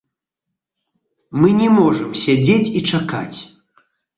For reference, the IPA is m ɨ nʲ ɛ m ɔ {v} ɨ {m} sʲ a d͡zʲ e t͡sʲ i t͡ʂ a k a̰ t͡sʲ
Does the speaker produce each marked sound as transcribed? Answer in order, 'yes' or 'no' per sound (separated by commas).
no, yes